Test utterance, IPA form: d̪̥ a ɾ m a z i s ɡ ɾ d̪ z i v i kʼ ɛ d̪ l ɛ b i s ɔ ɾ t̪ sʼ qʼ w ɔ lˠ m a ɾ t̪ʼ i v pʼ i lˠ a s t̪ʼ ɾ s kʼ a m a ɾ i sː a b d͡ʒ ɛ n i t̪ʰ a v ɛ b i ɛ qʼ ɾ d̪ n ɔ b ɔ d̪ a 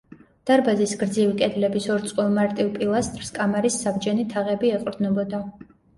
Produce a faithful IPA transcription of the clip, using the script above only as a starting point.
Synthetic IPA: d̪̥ a ɾ b a z i s ɡ ɾ d̪ z i v i kʼ ɛ d̪ l ɛ b i s ɔ ɾ t̪ sʼ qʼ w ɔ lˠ m a ɾ t̪ʼ i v pʼ i lˠ a s t̪ʼ ɾ s kʼ a m a ɾ i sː a b d͡ʒ ɛ n i t̪ʰ a ʁ ɛ b i ɛ qʼ ɾ d̪ n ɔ b ɔ d̪ a